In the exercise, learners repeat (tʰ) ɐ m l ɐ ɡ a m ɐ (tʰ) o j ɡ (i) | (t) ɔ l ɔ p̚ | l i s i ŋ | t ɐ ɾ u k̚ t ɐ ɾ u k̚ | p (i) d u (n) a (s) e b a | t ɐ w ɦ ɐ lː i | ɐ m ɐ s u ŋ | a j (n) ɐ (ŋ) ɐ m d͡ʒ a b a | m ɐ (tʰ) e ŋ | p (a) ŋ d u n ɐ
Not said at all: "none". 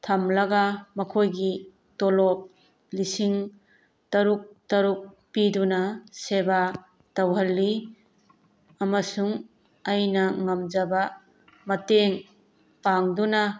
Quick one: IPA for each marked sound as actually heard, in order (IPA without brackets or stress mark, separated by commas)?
tʰ, kʰ, i, t, i, n, s, n, ŋ, t, a